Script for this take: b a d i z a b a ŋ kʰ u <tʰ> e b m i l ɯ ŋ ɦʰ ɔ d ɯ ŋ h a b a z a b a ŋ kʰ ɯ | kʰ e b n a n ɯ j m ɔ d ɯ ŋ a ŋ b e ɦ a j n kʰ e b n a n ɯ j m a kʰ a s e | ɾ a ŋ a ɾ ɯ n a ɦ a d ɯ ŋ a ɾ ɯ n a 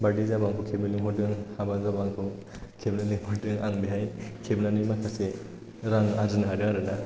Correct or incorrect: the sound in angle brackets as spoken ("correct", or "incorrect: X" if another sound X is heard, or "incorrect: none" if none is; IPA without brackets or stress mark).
incorrect: kʰ